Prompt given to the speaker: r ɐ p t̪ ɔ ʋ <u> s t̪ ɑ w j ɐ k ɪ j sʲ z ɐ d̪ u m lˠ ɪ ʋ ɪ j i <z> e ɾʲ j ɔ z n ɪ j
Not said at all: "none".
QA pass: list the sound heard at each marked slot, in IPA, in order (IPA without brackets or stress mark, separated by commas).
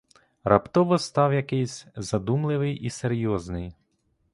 ɔ, s